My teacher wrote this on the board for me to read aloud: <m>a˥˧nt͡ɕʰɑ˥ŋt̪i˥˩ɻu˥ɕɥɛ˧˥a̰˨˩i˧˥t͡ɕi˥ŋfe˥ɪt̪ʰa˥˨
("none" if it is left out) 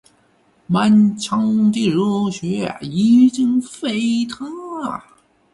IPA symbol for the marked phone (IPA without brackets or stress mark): m